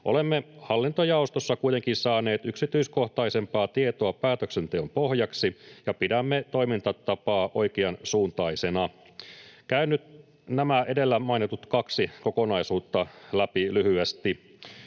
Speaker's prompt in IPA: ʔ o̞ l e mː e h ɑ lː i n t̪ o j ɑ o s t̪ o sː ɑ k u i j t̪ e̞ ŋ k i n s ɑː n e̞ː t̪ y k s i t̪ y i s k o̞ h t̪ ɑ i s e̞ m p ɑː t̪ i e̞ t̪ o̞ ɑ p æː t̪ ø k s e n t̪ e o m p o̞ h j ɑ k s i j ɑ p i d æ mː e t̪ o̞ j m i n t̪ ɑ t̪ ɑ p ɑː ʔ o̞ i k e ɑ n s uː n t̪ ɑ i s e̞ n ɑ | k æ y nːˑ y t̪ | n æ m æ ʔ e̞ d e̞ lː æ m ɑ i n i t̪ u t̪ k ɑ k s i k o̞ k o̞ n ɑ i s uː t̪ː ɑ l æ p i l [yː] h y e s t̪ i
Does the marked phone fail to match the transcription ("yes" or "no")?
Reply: yes